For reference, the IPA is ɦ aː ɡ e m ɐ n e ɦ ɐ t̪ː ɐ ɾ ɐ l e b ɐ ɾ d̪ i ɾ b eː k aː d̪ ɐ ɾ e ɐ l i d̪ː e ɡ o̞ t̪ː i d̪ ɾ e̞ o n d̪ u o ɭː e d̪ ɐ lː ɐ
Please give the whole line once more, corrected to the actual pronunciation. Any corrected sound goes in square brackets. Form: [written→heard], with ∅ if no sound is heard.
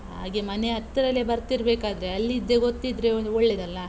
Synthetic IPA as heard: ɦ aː ɡ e m ɐ n e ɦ ɐ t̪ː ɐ ɾ ɐ l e b ɐ ɾ [d̪→t̪] i ɾ b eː k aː d̪ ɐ ɾ e ɐ [l→lː] i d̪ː e ɡ o̞ t̪ː i d̪ ɾ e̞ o n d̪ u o ɭː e d̪ ɐ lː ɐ

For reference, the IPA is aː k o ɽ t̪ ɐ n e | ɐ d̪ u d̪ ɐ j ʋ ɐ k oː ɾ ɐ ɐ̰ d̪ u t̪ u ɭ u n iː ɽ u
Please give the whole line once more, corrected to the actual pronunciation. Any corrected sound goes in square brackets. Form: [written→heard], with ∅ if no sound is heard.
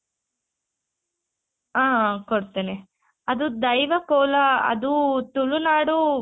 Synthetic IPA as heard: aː k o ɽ t̪ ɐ n e | ɐ d̪ u d̪ ɐ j ʋ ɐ k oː [ɾ→l] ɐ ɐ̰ d̪ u t̪ u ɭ u n [iː→aː] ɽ u

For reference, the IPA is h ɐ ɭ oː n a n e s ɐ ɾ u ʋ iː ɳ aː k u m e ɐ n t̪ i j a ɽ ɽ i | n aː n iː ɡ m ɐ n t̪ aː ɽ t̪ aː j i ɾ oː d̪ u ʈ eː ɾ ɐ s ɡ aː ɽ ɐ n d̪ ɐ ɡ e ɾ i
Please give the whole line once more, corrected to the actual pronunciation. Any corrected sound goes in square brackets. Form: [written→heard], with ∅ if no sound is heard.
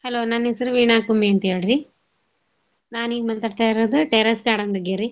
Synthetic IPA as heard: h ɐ [ɭ→l] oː n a n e s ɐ ɾ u ʋ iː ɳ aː k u m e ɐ n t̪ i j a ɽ [ɽ→ɾ] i | n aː n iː ɡ m ɐ n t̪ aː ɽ t̪ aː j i ɾ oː d̪ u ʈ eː ɾ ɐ s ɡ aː ɽ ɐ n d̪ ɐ ɡ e ɾ i

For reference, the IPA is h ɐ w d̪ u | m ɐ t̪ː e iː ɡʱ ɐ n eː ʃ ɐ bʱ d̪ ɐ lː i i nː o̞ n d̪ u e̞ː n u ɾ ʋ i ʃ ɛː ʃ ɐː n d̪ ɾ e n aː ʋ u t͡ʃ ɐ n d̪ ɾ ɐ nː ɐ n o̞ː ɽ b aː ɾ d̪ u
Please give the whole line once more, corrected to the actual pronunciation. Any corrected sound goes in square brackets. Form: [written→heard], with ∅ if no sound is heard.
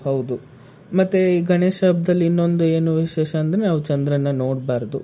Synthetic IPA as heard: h ɐ w d̪ u | m ɐ t̪ː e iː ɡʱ ɐ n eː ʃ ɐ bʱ d̪ ɐ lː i i nː o̞ n d̪ u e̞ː n u [ɾ→∅] ʋ i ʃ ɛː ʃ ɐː n d̪ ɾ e n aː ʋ u t͡ʃ ɐ n d̪ ɾ ɐ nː ɐ n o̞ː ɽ b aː ɾ d̪ u

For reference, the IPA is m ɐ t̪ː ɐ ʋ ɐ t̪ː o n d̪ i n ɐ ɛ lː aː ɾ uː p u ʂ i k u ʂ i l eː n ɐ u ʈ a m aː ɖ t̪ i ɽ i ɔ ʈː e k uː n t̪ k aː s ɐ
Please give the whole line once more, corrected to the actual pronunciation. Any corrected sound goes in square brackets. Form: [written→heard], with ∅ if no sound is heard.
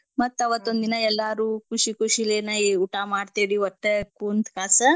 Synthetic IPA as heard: m ɐ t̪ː ɐ ʋ ɐ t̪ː o n d̪ i n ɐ ɛ lː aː ɾ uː [p→k] u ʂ i k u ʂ i l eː n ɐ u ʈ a m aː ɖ t̪ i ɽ i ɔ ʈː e k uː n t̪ k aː s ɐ

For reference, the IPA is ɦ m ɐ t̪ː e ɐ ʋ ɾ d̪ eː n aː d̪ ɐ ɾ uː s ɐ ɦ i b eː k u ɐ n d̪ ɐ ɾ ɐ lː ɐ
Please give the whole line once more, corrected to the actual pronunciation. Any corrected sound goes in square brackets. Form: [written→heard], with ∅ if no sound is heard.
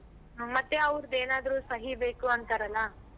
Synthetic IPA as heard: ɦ m ɐ t̪ː e ɐ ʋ ɾ d̪ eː n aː d̪ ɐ ɾ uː s ɐ ɦ i b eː k u ɐ n [d̪→t̪] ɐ ɾ ɐ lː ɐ

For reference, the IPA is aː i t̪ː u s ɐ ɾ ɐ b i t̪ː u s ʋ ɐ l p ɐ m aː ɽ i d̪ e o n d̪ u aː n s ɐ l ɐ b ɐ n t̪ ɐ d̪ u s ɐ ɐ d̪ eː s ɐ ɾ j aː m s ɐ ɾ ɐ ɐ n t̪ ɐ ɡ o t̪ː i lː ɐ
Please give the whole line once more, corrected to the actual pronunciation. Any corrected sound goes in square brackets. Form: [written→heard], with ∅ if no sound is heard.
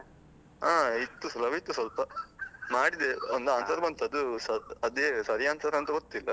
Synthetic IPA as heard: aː i t̪ː u s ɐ [ɾ→l] ɐ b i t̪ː u s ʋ ɐ l p ɐ m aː ɽ i d̪ e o n d̪ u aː n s ɐ [l→ɾ] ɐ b ɐ n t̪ ɐ d̪ u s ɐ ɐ d̪ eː s ɐ ɾ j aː [m→n] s ɐ ɾ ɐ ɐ n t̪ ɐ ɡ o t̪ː i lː ɐ

